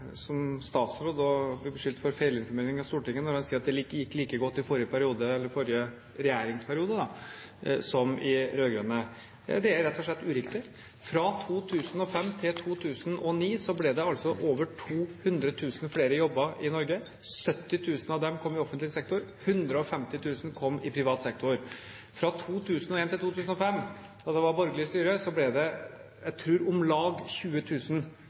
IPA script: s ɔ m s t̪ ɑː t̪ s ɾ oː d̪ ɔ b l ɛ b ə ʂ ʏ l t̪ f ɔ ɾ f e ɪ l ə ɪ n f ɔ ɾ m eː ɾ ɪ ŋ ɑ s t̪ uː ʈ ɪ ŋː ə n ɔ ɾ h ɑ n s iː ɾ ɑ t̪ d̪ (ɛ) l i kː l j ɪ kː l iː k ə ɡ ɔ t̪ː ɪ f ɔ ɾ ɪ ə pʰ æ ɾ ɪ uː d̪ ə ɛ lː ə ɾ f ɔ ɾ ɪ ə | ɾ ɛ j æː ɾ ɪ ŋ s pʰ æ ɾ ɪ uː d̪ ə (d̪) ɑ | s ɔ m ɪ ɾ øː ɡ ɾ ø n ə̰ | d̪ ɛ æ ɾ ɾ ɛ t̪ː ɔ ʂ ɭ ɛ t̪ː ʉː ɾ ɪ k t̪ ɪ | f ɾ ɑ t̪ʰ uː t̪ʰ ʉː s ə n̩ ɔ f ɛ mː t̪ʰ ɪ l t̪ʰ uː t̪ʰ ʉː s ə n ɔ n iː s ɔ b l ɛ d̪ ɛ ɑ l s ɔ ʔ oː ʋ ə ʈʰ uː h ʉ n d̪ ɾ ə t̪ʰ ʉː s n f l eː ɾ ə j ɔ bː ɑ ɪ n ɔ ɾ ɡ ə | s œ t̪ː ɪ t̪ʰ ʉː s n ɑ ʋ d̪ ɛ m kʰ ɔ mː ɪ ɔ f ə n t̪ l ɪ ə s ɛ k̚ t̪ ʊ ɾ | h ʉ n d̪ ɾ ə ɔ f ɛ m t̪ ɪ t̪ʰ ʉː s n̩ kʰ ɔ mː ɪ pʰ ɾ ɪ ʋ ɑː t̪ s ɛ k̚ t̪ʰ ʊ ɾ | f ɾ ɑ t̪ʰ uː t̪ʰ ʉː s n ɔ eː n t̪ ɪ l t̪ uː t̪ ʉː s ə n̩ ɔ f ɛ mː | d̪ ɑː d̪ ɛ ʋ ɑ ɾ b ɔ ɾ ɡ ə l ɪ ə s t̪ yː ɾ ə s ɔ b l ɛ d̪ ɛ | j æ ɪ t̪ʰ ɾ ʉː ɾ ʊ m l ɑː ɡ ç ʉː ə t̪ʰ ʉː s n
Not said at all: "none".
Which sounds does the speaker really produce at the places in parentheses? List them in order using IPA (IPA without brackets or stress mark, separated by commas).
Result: ɛ, d̪